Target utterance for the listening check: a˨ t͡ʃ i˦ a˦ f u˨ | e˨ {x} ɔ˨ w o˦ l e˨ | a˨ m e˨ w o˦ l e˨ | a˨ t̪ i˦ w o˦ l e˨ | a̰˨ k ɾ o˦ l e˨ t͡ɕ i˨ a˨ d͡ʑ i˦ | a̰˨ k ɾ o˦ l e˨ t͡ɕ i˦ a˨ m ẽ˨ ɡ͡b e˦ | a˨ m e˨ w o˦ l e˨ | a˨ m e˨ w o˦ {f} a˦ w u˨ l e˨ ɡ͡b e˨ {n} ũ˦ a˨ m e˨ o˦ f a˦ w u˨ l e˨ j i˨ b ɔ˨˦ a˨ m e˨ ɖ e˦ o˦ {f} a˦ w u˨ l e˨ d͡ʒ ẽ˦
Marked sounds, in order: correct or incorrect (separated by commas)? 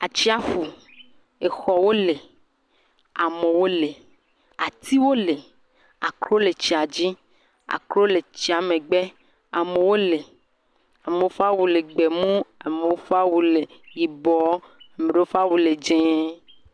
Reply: correct, correct, incorrect, correct